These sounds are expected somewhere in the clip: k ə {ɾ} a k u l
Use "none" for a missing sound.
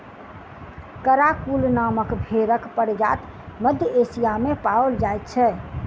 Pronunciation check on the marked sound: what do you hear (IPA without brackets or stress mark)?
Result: ɾ